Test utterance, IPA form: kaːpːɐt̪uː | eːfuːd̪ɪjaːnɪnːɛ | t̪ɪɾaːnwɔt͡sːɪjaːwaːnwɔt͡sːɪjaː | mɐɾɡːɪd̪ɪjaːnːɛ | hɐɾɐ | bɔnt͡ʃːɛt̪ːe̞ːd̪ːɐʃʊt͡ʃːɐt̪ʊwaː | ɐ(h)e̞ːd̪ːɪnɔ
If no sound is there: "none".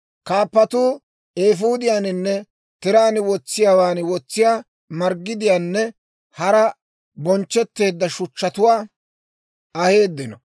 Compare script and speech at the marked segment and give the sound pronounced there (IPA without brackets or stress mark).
h